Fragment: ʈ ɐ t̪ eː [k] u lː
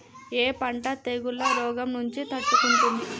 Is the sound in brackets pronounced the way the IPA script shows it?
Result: no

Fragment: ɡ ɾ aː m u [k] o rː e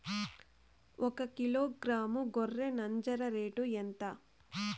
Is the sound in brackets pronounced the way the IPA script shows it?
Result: no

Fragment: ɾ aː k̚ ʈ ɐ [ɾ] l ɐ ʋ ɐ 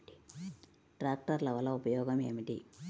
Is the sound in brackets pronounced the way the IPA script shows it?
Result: yes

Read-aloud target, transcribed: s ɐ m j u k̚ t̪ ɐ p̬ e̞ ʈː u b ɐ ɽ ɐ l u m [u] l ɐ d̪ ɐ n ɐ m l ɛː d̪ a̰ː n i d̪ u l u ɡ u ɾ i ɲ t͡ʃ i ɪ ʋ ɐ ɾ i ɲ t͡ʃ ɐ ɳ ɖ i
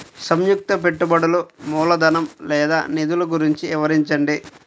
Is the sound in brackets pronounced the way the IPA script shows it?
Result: no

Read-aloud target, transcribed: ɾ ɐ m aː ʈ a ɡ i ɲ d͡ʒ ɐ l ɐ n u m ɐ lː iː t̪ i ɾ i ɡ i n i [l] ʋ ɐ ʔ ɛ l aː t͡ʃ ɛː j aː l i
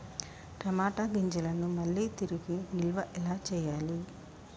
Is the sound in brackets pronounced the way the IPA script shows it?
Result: yes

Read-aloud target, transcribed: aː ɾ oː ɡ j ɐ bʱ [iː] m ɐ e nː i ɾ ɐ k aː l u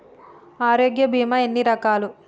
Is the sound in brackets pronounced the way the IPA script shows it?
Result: yes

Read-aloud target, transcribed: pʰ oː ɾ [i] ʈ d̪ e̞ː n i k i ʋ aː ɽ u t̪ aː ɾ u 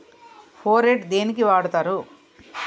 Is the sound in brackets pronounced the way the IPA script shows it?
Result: no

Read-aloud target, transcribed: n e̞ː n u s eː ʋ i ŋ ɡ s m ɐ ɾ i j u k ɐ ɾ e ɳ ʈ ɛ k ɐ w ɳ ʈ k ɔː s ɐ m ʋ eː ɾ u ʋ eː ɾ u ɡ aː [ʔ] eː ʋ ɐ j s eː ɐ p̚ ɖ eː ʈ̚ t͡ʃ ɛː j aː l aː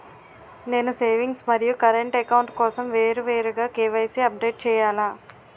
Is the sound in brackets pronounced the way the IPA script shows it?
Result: no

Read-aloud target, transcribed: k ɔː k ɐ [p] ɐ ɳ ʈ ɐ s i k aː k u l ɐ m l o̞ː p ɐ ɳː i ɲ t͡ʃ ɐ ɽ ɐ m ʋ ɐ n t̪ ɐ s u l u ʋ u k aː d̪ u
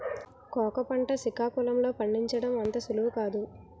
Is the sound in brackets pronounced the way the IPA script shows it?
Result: yes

